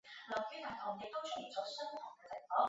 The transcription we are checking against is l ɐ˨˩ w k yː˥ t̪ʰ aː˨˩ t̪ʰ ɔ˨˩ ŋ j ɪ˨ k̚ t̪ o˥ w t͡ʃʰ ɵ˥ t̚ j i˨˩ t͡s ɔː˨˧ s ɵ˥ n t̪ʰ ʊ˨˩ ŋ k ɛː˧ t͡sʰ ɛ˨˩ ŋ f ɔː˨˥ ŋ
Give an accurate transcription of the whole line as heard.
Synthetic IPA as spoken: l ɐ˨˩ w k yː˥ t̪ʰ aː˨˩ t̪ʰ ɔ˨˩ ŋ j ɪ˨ k̚ t̪ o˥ w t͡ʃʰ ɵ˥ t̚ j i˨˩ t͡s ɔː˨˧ s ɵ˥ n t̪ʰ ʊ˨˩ ŋ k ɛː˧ t͡s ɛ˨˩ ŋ f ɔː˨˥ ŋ